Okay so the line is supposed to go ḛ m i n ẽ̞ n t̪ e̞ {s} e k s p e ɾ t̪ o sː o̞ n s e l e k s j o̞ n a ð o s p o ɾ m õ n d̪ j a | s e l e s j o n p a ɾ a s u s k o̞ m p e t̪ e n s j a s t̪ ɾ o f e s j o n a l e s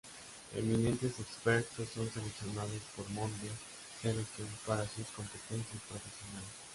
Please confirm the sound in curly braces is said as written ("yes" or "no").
yes